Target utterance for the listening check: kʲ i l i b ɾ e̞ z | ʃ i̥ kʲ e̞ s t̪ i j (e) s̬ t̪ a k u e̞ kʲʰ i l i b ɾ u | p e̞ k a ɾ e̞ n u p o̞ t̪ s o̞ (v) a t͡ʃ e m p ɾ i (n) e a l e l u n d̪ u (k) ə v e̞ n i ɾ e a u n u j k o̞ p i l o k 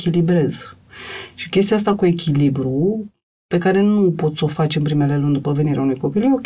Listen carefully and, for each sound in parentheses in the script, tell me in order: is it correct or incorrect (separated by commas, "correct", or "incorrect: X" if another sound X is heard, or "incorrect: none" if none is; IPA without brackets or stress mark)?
incorrect: a, incorrect: f, incorrect: m, incorrect: p